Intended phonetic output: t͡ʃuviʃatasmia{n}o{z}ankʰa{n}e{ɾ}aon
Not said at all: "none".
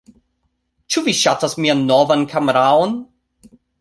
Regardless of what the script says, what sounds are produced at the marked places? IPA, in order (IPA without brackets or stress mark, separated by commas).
nː, v, m, ɾ